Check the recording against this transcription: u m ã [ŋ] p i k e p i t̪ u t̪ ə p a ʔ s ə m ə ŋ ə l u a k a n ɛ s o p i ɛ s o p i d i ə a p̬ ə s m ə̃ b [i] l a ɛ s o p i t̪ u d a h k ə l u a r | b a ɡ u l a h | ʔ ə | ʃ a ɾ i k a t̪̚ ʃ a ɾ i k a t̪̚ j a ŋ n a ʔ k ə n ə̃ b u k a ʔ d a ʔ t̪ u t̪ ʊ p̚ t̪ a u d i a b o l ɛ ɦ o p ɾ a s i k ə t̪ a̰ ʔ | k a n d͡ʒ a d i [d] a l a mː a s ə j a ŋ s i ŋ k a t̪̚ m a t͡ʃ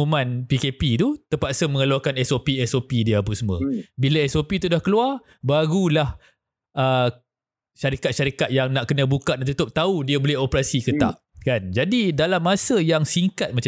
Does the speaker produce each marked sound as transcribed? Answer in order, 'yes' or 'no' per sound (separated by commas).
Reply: no, yes, yes